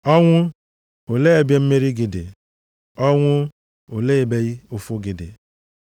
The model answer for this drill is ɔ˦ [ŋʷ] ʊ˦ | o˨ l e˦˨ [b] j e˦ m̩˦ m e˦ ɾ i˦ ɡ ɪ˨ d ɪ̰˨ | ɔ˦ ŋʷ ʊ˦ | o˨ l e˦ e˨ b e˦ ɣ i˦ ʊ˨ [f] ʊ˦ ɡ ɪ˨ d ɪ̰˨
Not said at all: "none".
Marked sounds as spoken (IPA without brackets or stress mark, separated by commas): ŋʷ, b, f